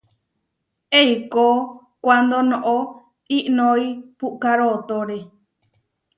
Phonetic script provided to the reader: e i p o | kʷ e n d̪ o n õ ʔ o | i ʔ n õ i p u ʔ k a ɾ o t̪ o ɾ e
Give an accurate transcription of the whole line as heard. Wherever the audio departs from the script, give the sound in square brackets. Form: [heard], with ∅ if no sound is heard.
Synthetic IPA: e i [k] o | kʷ [a] n d̪ o n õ ʔ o | i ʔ n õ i p u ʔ k a ɾ o t̪ o ɾ e